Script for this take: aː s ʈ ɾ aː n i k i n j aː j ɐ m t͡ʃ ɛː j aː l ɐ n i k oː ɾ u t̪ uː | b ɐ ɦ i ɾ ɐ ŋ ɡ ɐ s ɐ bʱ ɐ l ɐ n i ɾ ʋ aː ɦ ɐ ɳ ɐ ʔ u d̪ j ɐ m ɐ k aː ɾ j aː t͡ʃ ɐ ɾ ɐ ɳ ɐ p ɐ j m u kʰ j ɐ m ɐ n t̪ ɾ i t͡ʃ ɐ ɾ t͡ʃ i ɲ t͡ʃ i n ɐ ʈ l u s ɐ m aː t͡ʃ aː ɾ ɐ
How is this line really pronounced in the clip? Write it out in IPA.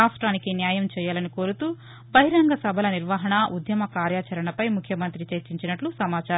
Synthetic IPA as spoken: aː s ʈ ɾ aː n i k i n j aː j ɐ m t͡ʃ ɛː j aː l ɐ n i k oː ɾ u t̪ uː | b ɐ ɦ i ɾ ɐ ŋ ɡ ɐ s ɐ bʱ ɐ l ɐ n i ɾ ʋ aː ɦ ɐ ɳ ɐ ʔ u d̪ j ɐ m ɐ k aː ɾ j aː t͡ʃ ɐ ɾ ɐ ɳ ɐ p ɐ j m u kʰ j ɐ m ɐ n t̪ ɾ i t͡ʃ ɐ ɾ t͡ʃ i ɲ t͡ʃ i n ɐ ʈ l u s ɐ m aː t͡ʃ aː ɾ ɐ